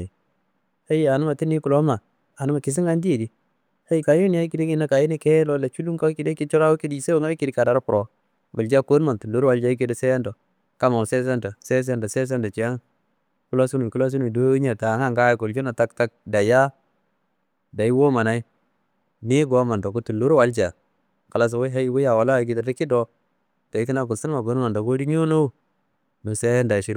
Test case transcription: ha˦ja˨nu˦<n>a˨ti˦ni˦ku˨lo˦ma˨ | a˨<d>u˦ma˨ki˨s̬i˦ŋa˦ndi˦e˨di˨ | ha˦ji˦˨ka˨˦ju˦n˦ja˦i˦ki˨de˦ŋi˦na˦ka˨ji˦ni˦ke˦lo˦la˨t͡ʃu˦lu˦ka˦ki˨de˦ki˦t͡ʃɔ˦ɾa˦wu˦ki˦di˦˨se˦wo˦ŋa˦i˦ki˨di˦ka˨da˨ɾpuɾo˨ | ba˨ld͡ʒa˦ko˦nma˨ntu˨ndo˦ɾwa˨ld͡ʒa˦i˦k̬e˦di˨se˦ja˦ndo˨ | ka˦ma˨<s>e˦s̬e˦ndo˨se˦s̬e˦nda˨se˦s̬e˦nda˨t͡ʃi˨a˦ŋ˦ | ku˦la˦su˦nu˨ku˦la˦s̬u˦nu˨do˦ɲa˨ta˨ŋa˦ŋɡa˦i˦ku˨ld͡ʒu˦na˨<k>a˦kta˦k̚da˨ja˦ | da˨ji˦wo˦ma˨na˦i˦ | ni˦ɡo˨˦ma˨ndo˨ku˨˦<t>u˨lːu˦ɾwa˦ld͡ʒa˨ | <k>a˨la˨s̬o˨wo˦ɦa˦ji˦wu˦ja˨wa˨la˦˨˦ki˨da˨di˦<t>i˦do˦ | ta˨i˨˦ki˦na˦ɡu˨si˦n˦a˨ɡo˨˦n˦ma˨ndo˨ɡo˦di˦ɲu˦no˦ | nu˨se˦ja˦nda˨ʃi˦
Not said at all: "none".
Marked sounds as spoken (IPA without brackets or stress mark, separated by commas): m, n, s, t, t, k, k